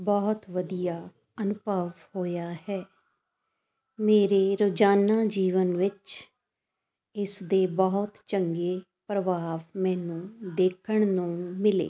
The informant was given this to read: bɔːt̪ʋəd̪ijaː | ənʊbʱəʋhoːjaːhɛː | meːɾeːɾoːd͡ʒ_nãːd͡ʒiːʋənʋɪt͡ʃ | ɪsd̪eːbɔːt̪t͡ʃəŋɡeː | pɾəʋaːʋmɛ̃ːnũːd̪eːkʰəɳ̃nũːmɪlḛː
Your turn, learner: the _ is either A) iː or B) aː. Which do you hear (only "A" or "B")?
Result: B